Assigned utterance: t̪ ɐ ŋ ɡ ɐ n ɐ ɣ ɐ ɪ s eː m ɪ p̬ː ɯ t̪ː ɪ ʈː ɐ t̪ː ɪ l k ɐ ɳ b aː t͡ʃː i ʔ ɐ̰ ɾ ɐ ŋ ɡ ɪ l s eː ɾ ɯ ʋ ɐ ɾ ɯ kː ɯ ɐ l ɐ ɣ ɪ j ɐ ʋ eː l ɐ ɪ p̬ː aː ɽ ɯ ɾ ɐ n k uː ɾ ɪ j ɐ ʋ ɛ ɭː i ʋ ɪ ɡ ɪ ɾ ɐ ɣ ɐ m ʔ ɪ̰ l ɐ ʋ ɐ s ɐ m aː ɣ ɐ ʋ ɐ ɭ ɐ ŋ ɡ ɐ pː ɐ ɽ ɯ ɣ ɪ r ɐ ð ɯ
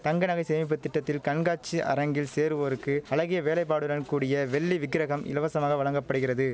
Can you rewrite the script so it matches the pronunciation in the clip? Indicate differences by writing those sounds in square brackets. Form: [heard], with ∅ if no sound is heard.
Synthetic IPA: t̪ ɐ ŋ ɡ ɐ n ɐ ɣ ɐ ɪ s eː m ɪ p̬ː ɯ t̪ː ɪ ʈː ɐ t̪ː ɪ l k ɐ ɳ [ɡ] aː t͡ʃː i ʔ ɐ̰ ɾ ɐ ŋ ɡ ɪ l s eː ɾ ɯ ʋ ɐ ɾ ɯ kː ɯ ɐ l ɐ ɣ ɪ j ɐ ʋ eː l ɐ ɪ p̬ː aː ɽ ɯ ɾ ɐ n k uː [ɽ] ɪ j ɐ ʋ ɛ ɭː i ʋ ɪ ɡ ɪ ɾ ɐ ɣ ɐ m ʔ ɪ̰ l ɐ ʋ ɐ s ɐ m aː ɣ ɐ ʋ ɐ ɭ ɐ ŋ ɡ ɐ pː ɐ ɽ ɯ ɣ ɪ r ɐ ð ɯ